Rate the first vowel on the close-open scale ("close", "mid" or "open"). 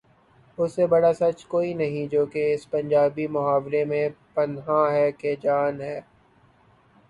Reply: close